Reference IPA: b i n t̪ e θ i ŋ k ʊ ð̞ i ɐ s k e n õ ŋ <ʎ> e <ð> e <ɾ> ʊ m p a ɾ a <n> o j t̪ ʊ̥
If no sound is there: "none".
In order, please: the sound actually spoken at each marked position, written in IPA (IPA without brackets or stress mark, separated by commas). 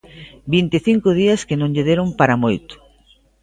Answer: ʎ, ð, ɾ, m